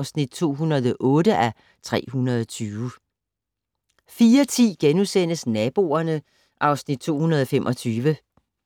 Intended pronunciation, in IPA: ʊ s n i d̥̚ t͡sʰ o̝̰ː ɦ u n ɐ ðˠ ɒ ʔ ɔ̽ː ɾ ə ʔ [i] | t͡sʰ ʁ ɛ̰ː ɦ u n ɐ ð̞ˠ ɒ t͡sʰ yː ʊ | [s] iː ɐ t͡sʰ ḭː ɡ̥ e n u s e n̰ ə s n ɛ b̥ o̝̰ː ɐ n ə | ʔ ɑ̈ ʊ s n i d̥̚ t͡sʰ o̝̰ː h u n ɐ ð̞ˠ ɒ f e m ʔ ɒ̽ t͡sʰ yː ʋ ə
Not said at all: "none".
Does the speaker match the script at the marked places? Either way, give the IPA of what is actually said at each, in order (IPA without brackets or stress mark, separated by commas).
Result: æ, f